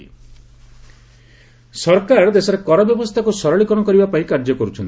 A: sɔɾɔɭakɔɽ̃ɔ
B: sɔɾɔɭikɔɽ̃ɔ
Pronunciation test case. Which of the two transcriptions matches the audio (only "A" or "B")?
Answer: B